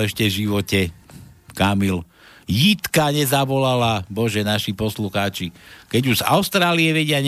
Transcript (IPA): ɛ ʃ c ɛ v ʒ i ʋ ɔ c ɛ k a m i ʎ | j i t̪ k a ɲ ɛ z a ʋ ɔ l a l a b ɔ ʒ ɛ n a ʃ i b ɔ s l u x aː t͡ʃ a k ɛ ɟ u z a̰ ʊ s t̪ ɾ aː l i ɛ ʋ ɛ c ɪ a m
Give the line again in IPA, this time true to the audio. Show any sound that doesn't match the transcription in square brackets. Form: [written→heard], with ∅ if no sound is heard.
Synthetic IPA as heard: ɛ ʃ c ɛ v ʒ i ʋ ɔ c ɛ k a m i [ʎ→l] | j i t̪ k a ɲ ɛ z a ʋ ɔ l a l a b ɔ ʒ ɛ n a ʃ i [b→p] ɔ s l u x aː t͡ʃ [a→i] k ɛ ɟ u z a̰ ʊ s t̪ ɾ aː l i ɛ ʋ ɛ [c→ɟ] ɪ a [m→ɲ]